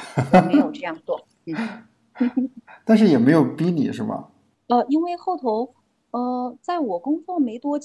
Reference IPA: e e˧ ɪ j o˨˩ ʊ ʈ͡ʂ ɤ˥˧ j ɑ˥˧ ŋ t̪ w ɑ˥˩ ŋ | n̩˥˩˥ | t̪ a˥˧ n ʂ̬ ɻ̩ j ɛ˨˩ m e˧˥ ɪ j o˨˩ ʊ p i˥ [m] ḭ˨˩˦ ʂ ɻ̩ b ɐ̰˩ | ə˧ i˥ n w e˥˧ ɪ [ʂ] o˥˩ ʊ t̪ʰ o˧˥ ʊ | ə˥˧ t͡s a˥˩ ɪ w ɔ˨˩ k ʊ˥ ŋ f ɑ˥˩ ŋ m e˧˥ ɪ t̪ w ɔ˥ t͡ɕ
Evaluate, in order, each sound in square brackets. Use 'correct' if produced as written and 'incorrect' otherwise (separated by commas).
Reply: incorrect, incorrect